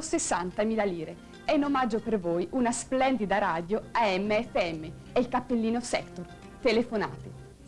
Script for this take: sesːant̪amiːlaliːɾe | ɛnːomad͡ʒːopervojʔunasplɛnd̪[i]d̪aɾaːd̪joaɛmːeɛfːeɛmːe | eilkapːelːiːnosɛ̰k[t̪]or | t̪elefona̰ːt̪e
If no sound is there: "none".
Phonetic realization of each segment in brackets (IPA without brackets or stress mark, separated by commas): i, t̪